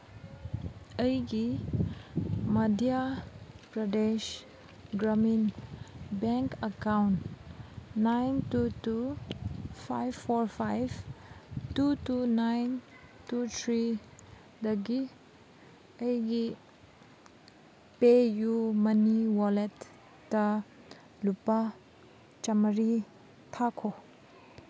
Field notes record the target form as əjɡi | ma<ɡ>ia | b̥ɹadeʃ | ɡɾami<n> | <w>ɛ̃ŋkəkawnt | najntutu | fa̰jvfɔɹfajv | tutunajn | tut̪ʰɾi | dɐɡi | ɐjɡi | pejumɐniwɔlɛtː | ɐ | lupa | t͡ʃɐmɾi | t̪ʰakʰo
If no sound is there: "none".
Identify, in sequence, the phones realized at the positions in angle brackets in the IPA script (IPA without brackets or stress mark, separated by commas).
d, n, b